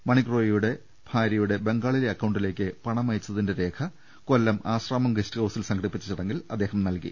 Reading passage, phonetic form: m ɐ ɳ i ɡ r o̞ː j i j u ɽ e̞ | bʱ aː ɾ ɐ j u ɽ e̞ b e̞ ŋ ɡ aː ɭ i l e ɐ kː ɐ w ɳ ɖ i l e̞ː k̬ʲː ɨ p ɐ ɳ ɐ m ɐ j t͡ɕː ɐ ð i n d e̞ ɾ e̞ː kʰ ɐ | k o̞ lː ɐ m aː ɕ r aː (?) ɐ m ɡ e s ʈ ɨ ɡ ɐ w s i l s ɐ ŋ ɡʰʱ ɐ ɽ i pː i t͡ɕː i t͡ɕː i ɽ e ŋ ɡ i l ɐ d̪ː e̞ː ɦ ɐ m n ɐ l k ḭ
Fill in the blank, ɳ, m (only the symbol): m